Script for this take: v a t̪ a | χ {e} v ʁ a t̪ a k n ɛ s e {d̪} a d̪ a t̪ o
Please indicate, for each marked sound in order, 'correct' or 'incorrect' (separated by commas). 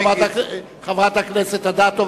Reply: incorrect, incorrect